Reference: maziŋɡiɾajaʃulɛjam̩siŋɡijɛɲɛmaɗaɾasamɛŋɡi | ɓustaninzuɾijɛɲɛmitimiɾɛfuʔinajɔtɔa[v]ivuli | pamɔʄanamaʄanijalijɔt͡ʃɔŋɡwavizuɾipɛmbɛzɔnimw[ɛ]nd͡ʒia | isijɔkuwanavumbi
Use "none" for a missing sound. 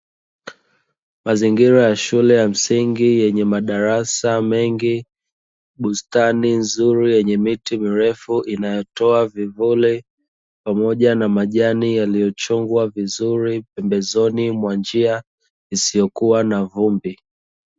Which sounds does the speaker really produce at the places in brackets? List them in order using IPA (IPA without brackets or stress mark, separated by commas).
v, a